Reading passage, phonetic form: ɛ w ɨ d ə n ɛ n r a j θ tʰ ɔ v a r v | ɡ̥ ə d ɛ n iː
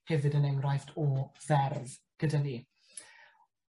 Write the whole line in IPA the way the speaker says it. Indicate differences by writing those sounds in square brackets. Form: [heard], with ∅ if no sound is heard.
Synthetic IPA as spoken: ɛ [v] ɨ d ə n ɛ [ŋ] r a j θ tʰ ɔ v [ɛ] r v | ɡ̥ ə d [a] n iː